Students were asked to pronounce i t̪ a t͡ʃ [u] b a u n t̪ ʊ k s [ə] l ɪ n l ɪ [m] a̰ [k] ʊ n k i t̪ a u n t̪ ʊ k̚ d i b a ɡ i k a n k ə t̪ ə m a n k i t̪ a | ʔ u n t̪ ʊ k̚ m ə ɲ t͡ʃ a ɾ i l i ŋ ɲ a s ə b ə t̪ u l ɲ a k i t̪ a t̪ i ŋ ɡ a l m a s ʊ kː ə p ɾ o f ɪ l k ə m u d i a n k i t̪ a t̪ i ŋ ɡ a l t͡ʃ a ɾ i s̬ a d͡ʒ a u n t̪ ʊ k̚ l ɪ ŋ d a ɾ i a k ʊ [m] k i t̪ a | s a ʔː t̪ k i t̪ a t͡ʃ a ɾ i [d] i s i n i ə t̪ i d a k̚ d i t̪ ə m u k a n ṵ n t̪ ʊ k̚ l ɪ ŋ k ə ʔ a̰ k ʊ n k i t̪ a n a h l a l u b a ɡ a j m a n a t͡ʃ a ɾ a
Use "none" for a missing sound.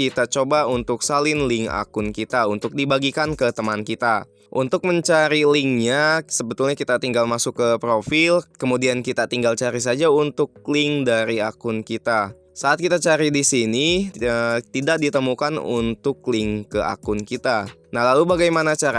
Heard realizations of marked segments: o, a, ŋ, k, n, d

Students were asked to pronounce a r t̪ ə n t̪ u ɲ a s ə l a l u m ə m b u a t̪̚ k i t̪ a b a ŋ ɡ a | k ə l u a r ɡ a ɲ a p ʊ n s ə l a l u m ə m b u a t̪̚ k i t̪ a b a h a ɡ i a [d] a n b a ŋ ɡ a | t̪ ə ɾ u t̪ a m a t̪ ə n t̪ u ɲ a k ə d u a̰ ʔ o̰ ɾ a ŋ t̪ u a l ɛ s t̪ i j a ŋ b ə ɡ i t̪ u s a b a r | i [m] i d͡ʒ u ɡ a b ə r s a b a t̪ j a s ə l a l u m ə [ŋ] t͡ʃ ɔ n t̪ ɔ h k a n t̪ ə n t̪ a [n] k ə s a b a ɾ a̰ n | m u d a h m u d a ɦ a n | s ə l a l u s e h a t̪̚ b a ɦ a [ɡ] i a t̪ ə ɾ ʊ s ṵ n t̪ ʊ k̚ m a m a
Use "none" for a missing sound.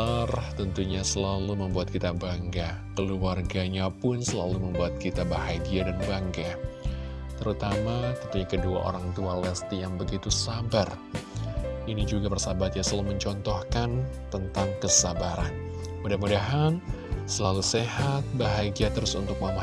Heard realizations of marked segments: d, n, ɲ, ŋ, ɡ

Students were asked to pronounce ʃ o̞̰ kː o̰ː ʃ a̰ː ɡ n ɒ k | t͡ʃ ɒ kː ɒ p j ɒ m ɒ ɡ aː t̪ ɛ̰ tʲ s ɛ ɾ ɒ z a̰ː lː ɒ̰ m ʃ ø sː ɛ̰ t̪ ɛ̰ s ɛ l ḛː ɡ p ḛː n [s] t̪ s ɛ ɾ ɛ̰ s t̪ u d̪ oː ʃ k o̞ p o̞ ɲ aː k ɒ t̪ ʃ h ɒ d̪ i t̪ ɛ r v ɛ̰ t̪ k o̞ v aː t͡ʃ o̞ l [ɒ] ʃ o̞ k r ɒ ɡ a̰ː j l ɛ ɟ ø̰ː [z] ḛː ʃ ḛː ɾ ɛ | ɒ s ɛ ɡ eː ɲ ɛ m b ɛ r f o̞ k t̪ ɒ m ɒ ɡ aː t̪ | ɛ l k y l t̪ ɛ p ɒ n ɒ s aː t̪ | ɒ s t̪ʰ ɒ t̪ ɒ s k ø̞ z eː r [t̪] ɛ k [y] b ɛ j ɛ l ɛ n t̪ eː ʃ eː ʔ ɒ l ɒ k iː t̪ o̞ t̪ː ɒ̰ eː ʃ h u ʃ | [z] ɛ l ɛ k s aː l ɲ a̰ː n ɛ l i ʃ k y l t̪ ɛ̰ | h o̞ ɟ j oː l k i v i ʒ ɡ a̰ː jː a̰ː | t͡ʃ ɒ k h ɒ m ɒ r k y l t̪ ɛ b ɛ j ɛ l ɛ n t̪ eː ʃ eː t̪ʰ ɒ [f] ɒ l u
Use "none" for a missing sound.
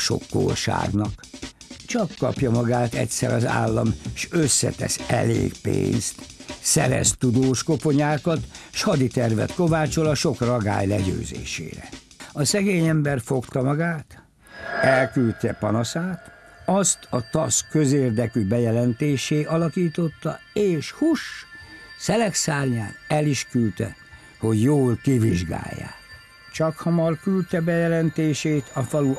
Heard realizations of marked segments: s, ɒ, z, d̪, y, s, f

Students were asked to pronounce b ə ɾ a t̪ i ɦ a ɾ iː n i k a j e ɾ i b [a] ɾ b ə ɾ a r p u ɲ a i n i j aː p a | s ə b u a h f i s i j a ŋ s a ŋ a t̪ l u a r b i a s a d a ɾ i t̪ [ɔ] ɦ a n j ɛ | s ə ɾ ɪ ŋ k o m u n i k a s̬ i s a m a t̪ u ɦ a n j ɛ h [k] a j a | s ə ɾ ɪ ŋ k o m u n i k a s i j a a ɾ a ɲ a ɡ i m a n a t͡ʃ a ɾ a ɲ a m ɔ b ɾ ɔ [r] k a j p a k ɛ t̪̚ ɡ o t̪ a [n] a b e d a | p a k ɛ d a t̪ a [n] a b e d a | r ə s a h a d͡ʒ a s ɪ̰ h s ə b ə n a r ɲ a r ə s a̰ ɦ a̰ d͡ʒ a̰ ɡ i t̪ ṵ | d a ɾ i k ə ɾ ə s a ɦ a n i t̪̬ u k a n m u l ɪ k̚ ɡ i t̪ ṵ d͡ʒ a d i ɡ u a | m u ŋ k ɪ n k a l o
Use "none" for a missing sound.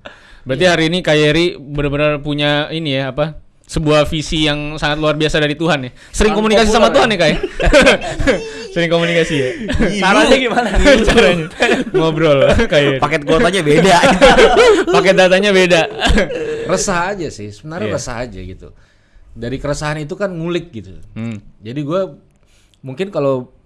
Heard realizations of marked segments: ə, u, k, l, ɲ, ɲ

